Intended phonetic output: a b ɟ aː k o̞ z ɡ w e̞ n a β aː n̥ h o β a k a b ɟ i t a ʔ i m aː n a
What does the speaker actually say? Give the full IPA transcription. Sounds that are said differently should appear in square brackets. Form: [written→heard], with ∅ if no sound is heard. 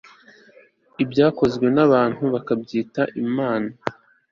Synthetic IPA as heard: [a→i] b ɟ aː k o̞ z ɡ w e̞ n a β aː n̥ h [o→u] β a k a b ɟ [i→iː] t a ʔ i m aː n a